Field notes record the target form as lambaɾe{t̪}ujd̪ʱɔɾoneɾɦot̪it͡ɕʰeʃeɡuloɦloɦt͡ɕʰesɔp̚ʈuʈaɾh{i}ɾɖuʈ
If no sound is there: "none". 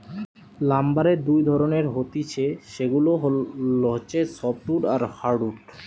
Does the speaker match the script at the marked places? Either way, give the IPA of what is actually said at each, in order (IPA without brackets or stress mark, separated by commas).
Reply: d̪, a